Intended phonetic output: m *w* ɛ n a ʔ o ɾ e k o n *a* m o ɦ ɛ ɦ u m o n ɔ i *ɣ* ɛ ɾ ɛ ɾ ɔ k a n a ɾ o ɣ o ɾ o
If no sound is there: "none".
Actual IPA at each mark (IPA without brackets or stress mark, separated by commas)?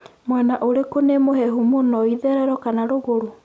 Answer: w, e, ð